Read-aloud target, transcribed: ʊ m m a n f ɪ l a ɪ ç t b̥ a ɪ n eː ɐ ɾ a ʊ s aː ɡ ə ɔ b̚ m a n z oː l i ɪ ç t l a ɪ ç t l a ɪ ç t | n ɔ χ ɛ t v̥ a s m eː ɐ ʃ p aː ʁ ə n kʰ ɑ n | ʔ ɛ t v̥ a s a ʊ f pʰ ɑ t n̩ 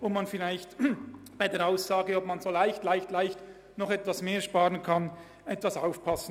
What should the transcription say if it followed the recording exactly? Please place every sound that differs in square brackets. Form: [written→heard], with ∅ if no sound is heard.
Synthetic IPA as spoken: ʊ m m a n f ɪ l a ɪ ç t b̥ a ɪ [n→d] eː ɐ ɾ a ʊ s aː ɡ ə ɔ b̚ m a n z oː l [i→a] ɪ ç t l a ɪ ç t l a ɪ ç t | n ɔ χ ɛ t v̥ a s m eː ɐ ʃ p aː ʁ ə n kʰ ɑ n | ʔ ɛ t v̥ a s a ʊ f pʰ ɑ [t→s] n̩